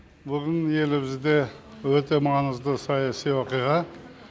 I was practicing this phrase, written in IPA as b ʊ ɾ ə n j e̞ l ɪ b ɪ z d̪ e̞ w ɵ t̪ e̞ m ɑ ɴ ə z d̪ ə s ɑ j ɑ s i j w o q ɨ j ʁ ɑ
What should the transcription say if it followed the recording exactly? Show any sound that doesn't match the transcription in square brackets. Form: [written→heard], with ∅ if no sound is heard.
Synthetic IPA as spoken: b ʊ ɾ ə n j e̞ l ɪ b ɪ z d̪ e̞ w ɵ t̪ e̞ m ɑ [ɴ→n] ə z d̪ ə s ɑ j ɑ s i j w o q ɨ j ʁ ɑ